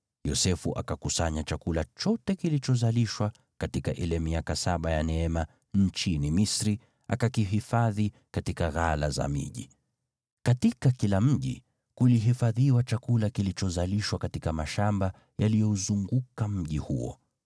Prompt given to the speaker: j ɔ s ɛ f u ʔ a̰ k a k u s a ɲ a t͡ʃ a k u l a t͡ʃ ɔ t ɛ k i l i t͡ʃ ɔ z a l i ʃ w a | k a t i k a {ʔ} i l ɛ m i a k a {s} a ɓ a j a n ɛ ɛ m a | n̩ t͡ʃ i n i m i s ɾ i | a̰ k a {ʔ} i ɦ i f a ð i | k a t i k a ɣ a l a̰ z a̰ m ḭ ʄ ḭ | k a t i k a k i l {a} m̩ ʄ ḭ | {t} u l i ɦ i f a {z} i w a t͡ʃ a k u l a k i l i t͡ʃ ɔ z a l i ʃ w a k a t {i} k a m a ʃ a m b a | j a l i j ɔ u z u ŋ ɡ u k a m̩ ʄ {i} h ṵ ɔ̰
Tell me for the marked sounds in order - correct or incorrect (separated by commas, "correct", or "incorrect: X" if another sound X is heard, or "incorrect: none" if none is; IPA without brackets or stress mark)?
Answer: correct, correct, incorrect: k, correct, incorrect: k, incorrect: ð, correct, correct